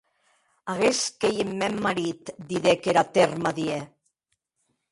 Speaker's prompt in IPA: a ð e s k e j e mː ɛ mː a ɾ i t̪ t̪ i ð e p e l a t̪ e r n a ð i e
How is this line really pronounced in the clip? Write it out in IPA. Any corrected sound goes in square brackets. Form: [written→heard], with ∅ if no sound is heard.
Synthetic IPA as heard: a [ð→ɣ] e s k e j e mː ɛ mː a ɾ i t̪ [t̪→d̪] i ð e [p→k] e [l→ɾ] a t̪ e r [n→m] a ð i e